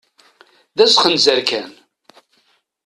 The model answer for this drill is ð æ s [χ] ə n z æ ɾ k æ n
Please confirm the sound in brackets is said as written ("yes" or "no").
yes